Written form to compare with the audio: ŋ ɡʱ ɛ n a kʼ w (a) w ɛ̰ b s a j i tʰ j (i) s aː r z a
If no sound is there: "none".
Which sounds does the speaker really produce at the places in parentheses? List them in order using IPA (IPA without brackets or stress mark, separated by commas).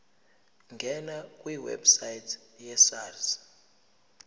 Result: i, ɛ